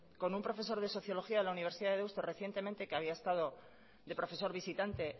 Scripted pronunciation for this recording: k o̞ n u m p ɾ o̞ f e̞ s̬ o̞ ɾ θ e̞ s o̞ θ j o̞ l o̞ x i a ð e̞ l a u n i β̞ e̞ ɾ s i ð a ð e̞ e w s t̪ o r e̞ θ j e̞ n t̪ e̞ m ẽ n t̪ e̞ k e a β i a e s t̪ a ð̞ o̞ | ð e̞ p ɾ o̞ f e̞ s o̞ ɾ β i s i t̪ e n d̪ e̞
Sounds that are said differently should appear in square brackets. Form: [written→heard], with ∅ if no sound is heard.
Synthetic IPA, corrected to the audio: k o̞ n u m p ɾ o̞ f e̞ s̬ o̞ ɾ [θ→ð] e̞ s o̞ θ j o̞ l o̞ x i a ð e̞ l a u n i β̞ e̞ ɾ s i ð a ð e̞ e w s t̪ o r e̞ θ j e̞ n t̪ e̞ m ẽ n t̪ e̞ k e a β i a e s t̪ a ð̞ o̞ | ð e̞ p ɾ o̞ f e̞ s o̞ ɾ β i s i t̪ [e→a] n [d̪→t̪] e̞